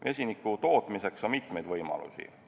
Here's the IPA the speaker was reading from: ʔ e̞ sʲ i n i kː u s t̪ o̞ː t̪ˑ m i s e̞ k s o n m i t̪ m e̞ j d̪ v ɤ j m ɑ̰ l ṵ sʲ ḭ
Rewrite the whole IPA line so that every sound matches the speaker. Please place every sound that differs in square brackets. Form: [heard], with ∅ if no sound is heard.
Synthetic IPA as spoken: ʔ e̞ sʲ i n i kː u [∅] t̪ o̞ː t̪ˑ m i s e̞ k s o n m i t̪ m e̞ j d̪ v ɤ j m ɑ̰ l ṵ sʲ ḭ